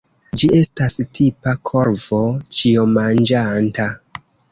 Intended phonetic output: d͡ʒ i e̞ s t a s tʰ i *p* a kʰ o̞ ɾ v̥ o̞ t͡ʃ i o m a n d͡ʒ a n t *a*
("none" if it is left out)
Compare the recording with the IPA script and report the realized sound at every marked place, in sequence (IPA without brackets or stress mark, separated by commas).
p, a